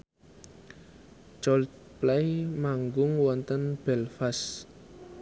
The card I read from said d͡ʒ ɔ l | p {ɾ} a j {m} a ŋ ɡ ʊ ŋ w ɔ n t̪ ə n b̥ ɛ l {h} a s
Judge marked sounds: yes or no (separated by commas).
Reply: no, yes, no